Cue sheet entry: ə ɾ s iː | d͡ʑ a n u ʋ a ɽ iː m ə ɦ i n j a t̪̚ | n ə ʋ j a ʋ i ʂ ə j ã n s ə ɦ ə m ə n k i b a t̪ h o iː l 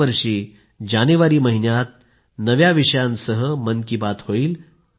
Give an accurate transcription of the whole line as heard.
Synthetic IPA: ə ɾ ʂ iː | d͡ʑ a n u ʋ a ɾ iː m ə ɦ i n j a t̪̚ | n ə ʋ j a ʋ i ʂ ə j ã n s ə ɦ ə m ə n k i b a t̪ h o iː l